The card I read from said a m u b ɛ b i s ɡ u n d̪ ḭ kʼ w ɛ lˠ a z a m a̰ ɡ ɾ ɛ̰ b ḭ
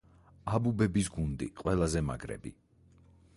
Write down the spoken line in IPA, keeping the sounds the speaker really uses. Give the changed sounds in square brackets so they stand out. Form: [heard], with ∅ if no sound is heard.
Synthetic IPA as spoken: a [b] u b ɛ b i s ɡ u n d̪ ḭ [qʼ] w ɛ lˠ a z [ɛ] m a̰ ɡ ɾ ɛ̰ b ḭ